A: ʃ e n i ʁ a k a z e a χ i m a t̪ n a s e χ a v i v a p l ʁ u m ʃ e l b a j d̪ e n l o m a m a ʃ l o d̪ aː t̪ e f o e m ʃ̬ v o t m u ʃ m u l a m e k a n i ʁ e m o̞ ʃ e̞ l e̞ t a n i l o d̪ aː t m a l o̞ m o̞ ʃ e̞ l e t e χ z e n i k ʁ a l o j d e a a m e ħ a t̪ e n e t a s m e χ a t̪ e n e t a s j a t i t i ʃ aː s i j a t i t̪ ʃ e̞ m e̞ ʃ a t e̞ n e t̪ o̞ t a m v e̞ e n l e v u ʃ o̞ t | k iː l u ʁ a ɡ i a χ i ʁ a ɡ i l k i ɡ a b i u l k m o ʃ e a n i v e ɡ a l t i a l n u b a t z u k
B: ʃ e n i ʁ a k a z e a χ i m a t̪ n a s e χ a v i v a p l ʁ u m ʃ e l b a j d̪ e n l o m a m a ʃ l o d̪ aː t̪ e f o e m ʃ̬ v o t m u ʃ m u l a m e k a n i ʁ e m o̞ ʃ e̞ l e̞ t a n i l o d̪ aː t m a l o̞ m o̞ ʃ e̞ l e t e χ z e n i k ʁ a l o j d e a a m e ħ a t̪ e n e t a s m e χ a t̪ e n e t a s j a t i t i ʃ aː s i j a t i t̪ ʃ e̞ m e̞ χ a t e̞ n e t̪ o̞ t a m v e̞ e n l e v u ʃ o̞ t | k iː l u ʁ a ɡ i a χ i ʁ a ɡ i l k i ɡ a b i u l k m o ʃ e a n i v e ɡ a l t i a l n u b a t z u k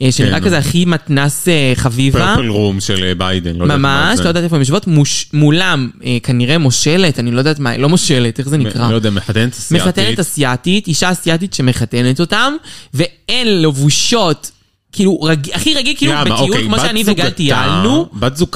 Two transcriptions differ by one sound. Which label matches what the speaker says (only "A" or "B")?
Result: B